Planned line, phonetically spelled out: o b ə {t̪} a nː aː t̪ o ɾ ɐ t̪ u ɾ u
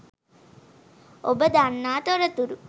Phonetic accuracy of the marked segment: incorrect: d̪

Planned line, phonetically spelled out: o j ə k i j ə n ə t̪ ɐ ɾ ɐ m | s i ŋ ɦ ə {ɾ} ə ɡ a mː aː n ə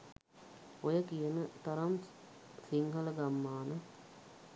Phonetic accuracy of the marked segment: incorrect: l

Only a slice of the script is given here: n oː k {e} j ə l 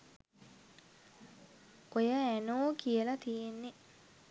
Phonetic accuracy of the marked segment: incorrect: i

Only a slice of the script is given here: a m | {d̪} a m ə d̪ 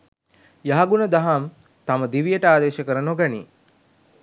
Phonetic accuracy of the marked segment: incorrect: t̪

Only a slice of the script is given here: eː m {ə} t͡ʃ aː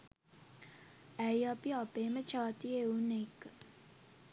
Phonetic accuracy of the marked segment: correct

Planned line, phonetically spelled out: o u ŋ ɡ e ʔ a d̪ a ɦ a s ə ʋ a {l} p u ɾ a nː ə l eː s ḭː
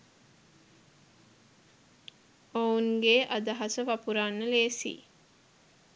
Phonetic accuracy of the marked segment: incorrect: none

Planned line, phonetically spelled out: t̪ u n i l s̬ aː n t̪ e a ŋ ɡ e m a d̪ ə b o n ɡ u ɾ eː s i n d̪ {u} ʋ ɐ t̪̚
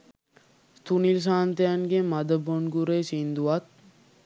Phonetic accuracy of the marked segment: correct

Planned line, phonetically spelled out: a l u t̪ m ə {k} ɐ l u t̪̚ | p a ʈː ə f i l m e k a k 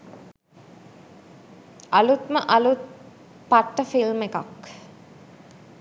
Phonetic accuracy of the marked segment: incorrect: ʔ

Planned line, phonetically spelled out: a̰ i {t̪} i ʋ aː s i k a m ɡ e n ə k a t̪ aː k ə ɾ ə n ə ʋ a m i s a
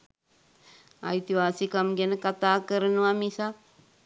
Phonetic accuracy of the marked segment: correct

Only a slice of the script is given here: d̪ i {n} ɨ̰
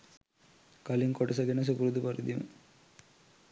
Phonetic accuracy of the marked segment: incorrect: m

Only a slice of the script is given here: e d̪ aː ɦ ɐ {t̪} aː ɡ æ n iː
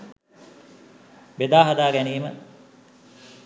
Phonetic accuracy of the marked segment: incorrect: d̪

